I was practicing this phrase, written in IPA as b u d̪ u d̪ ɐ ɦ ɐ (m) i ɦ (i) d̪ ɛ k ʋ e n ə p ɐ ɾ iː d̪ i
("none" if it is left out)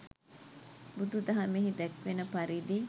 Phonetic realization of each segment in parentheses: m, i

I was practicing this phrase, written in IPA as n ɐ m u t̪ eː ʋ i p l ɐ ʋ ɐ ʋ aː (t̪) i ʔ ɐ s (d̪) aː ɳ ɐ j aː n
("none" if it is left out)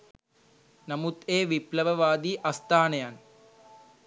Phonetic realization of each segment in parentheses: d̪, t̪

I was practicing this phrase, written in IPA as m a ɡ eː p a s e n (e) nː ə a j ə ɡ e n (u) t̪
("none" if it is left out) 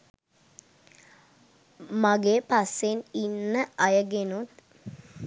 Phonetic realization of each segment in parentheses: i, u

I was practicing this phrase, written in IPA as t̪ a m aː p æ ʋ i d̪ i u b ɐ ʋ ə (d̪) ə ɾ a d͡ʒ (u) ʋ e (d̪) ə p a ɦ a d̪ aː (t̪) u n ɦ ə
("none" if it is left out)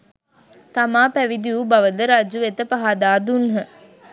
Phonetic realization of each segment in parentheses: d̪, u, t̪, d̪

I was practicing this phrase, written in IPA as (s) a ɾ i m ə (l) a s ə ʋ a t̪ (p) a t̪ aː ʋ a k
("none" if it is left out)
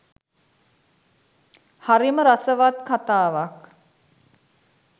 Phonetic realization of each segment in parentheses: h, ɾ, k

